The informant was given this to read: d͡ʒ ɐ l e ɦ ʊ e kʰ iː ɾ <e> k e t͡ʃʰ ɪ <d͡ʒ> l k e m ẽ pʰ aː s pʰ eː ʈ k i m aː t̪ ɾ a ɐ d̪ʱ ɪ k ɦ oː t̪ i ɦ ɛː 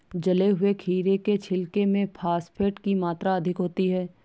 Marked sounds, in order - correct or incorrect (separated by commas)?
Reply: correct, incorrect